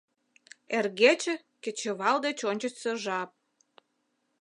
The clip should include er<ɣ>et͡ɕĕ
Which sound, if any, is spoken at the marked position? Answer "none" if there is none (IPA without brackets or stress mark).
ɣ